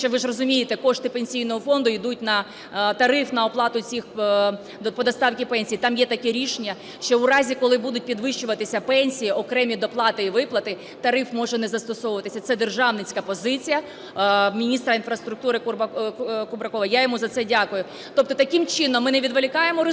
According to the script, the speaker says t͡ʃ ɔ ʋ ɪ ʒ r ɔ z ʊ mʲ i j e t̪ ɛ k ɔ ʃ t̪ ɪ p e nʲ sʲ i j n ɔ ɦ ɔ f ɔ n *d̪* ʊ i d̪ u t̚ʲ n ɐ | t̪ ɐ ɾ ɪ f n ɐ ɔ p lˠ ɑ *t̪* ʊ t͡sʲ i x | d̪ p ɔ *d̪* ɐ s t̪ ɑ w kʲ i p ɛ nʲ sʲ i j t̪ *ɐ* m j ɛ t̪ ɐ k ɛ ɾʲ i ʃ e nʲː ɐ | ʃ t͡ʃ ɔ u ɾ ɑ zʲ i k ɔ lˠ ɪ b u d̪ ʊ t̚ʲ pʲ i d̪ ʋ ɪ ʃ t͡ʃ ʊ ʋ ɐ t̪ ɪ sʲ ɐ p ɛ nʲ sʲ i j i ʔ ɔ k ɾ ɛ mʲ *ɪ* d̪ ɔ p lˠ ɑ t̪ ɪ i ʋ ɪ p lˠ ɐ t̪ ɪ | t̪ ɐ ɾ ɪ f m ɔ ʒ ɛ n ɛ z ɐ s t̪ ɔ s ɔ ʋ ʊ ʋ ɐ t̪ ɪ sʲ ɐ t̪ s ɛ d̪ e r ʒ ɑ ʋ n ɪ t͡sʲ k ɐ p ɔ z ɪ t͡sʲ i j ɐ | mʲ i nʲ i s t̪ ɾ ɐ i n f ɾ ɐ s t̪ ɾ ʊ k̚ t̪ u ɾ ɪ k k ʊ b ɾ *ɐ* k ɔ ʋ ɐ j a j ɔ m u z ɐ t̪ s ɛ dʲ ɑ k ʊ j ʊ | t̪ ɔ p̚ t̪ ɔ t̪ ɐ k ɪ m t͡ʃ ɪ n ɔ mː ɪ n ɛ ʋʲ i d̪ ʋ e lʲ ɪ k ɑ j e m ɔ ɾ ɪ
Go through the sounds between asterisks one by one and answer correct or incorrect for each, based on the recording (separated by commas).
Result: correct, correct, correct, incorrect, incorrect, correct